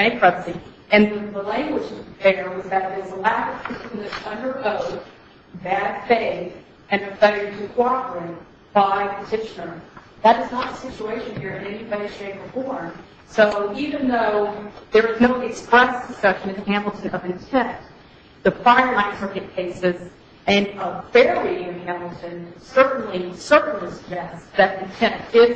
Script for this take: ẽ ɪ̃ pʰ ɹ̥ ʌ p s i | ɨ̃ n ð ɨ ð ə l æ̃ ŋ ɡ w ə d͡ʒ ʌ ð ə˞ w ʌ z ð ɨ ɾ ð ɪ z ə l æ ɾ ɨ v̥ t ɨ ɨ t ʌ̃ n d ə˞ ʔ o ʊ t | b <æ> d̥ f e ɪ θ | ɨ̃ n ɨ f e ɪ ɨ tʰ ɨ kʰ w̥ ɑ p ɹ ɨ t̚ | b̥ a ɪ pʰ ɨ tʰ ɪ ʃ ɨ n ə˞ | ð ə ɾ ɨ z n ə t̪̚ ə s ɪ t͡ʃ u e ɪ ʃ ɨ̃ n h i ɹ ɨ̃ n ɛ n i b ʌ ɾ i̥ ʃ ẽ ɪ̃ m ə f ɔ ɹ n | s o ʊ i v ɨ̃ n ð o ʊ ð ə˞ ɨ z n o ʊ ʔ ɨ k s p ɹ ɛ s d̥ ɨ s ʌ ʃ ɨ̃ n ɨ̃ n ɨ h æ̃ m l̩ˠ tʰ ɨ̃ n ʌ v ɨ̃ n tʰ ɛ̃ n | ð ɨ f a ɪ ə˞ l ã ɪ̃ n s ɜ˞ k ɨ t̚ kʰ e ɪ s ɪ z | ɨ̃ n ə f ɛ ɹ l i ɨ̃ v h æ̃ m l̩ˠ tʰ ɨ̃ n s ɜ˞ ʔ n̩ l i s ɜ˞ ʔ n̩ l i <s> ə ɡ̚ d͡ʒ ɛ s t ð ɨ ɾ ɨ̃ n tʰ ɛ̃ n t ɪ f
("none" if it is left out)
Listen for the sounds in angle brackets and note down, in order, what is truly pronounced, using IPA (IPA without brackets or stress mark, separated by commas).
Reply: æ, s